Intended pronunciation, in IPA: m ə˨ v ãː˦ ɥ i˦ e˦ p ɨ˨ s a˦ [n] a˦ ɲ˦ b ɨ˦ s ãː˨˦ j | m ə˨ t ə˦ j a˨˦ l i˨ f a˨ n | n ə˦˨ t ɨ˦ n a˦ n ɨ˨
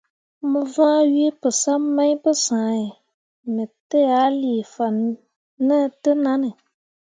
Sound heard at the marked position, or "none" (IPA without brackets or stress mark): m